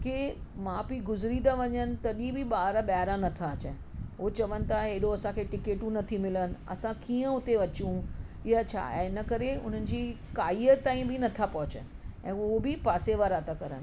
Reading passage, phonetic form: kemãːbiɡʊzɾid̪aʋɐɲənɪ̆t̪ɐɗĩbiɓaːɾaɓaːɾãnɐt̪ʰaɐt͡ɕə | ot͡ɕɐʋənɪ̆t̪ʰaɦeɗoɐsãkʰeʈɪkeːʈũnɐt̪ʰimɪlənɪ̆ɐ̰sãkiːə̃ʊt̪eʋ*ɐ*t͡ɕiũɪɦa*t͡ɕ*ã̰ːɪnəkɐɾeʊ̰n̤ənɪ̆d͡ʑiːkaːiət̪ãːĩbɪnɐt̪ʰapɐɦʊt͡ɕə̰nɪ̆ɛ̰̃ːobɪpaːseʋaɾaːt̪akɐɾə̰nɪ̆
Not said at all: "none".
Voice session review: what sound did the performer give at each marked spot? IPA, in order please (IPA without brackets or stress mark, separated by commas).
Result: ɐ, t͡ɕʰ